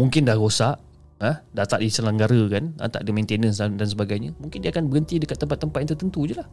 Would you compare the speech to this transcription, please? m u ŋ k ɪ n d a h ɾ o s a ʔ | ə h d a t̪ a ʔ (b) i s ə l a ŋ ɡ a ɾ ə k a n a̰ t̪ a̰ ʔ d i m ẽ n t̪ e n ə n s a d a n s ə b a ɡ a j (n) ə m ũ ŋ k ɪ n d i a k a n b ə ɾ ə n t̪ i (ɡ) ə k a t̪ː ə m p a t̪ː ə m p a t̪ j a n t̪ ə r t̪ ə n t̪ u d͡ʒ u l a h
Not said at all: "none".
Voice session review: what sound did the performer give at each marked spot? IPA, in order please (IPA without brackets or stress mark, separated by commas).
d, ɲ, d